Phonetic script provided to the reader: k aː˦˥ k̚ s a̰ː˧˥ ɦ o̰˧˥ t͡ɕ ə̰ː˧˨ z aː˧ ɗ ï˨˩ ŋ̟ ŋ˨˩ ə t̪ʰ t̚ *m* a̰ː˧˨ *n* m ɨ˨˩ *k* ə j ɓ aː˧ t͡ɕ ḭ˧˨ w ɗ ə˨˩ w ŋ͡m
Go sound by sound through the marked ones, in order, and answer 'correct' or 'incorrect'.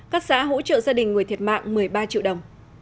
correct, incorrect: ŋ, incorrect: none

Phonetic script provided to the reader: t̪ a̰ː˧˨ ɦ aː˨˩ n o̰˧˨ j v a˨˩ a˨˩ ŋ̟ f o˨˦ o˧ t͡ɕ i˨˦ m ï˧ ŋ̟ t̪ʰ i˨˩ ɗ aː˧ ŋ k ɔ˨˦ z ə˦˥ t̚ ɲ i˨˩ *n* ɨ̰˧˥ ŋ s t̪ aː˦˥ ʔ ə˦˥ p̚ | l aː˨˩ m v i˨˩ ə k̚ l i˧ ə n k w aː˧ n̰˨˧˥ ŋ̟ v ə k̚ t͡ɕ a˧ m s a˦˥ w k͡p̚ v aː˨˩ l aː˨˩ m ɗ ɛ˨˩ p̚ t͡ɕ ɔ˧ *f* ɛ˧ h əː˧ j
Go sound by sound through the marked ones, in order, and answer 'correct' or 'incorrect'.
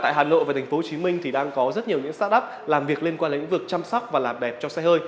incorrect: ɲ, incorrect: s

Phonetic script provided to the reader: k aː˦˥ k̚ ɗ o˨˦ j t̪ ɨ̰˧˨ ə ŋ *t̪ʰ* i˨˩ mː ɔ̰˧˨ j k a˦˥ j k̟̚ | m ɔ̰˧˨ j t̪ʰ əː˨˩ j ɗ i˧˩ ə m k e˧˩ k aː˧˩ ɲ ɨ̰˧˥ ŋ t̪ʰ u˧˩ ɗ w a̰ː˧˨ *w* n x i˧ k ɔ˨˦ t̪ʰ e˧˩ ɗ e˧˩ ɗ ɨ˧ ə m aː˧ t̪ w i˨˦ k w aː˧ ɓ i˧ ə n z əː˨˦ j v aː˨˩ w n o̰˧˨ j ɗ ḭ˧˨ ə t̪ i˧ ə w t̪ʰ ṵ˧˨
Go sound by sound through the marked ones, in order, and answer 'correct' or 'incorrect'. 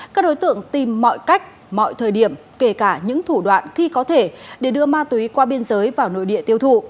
incorrect: t̪, incorrect: none

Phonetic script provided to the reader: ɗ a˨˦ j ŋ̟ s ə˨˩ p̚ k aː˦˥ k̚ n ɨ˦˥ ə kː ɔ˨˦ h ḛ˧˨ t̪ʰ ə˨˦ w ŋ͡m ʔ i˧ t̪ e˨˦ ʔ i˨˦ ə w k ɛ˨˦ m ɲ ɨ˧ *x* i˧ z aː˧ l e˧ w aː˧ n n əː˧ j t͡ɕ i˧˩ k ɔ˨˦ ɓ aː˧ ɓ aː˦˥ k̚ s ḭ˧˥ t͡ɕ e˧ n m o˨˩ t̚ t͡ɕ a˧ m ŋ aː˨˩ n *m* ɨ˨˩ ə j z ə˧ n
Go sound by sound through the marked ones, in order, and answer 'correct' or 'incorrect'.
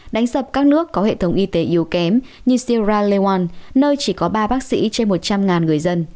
incorrect: s, incorrect: ŋ

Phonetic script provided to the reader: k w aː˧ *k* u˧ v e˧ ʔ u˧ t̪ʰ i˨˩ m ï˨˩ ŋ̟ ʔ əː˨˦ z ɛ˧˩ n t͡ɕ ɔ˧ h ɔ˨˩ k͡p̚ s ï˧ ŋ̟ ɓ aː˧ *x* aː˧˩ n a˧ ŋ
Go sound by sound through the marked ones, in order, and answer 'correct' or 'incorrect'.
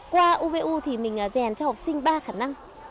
incorrect: ʔ, correct

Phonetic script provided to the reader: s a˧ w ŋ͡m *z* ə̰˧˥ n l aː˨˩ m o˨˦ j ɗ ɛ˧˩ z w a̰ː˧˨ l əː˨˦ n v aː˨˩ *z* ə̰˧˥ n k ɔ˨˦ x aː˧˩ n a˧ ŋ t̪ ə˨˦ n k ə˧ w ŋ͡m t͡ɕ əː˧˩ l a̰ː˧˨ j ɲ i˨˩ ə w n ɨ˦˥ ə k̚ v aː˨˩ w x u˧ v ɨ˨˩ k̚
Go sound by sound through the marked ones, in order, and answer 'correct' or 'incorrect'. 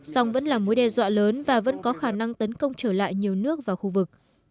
incorrect: v, incorrect: v

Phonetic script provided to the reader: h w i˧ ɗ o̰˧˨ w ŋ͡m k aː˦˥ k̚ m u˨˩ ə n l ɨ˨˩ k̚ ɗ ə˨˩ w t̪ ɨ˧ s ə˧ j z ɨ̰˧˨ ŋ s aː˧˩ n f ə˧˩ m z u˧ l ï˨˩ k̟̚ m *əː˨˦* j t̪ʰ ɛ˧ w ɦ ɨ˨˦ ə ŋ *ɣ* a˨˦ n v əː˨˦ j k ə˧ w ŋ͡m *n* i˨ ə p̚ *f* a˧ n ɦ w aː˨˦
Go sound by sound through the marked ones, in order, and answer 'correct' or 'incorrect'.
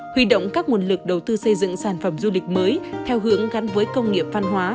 correct, correct, incorrect: ŋ, incorrect: v

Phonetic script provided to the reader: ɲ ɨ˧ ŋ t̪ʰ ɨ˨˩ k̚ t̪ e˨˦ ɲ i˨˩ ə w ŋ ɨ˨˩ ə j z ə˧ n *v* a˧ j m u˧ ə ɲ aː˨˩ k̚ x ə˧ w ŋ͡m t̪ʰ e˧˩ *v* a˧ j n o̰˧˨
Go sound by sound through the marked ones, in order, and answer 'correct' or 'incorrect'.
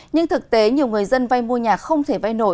correct, correct

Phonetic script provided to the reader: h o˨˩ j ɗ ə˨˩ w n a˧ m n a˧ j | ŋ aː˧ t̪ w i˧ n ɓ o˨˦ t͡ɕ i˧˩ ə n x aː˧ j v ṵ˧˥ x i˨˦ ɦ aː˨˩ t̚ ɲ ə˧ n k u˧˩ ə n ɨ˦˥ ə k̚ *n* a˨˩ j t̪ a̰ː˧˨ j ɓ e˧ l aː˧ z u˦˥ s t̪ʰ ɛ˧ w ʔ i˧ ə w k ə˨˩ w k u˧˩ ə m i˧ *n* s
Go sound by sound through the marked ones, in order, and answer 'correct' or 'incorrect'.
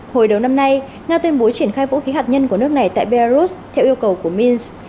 correct, correct

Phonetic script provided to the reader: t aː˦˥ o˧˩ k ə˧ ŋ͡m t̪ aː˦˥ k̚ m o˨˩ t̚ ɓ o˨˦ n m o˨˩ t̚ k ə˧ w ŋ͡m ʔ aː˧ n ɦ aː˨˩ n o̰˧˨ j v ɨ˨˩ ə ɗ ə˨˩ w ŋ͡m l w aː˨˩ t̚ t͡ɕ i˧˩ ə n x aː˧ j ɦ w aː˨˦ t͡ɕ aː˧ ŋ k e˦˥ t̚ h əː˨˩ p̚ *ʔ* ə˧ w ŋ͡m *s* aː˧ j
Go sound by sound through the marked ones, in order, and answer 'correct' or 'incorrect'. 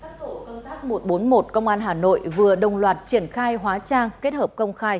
incorrect: k, incorrect: x

